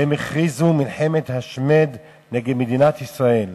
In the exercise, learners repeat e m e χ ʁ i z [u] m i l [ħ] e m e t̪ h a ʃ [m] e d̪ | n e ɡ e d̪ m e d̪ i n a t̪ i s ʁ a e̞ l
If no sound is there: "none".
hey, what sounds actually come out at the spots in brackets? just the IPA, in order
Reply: u, ħ, m

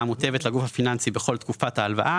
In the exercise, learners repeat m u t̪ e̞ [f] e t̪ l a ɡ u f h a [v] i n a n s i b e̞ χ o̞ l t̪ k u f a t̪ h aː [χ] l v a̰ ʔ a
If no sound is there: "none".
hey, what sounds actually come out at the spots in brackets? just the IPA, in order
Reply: v, f, none

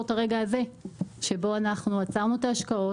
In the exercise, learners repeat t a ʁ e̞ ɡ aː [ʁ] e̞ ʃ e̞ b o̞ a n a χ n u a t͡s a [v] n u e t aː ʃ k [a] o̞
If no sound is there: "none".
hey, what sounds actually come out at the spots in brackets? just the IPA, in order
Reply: z, ʁ, a

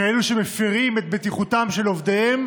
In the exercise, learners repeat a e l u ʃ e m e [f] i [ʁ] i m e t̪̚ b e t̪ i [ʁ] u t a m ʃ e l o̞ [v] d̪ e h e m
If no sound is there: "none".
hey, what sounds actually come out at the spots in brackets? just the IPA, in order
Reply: f, ʁ, χ, v

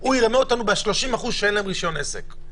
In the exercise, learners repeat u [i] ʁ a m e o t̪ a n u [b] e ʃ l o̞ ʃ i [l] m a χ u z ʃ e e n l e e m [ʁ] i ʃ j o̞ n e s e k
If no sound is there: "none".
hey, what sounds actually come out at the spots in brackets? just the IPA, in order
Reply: i, b, none, ʁ

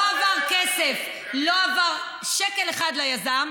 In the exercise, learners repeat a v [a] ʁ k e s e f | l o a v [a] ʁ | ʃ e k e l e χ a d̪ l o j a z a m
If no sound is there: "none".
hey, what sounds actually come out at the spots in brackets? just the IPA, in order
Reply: a, a

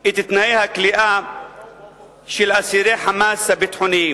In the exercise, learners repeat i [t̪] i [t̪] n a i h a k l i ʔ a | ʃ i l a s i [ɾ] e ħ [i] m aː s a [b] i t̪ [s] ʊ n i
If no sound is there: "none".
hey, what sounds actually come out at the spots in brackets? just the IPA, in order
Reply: t̪, t̪, ɾ, a, b, ħ

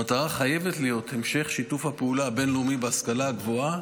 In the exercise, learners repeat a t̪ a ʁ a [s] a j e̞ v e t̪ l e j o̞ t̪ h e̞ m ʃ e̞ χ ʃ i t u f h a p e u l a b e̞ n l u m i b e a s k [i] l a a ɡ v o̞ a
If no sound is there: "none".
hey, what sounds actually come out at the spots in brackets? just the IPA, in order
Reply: χ, a

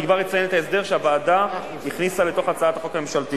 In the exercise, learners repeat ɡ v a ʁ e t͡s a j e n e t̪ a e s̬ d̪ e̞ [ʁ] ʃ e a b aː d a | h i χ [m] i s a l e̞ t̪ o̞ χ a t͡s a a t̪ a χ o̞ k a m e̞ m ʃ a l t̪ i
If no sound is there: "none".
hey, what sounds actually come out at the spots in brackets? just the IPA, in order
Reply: ʁ, n

